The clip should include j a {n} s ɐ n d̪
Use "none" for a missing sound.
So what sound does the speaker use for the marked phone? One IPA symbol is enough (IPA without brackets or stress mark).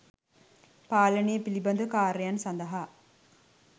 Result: n